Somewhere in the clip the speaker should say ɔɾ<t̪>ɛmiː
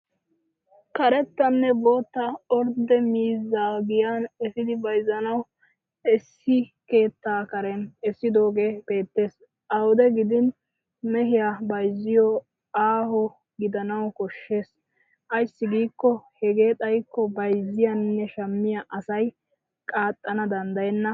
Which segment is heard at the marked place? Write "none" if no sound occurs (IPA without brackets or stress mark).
d̪